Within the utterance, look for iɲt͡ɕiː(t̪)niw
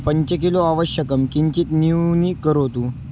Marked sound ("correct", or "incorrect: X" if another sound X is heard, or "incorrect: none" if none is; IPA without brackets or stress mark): correct